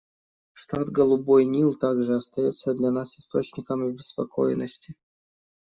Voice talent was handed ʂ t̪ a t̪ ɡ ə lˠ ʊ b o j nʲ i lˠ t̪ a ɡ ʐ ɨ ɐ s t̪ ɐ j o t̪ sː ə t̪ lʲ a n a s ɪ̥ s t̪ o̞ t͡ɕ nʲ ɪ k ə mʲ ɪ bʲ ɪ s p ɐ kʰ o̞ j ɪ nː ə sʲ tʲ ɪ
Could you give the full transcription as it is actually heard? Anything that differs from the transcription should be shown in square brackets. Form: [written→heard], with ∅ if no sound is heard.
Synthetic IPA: ʂ t̪ a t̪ ɡ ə lˠ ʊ b o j nʲ i lˠ t̪ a ɡ ʐ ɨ ɐ s t̪ ɐ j o t̪ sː ə [t̪→d̪] lʲ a n a s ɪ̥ s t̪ o̞ t͡ɕ nʲ ɪ k ə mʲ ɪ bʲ ɪ s p ɐ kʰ o̞ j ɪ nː ə sʲ tʲ ɪ